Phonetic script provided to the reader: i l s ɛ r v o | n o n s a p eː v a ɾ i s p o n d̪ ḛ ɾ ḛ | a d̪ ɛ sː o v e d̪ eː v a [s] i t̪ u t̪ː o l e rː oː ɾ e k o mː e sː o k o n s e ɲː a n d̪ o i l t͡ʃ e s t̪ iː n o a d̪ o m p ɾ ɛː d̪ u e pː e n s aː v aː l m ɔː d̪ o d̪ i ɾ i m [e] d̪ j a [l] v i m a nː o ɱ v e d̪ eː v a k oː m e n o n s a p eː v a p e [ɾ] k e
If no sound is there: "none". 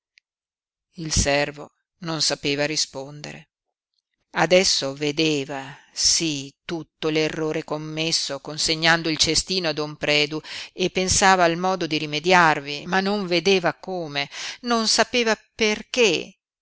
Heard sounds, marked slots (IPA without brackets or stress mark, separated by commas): s, e, r, r